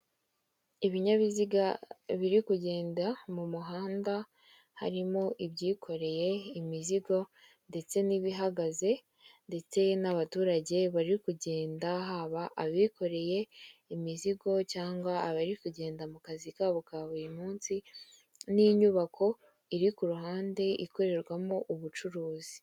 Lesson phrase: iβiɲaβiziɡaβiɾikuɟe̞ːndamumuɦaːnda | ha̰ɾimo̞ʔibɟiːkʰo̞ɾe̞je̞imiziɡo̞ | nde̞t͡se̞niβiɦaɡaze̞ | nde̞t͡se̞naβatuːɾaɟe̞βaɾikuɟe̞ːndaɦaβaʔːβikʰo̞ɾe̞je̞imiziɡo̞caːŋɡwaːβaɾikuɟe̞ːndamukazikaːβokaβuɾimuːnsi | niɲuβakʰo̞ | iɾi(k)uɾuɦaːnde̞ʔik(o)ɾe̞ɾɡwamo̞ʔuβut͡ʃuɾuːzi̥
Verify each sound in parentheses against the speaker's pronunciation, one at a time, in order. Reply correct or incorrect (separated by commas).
correct, correct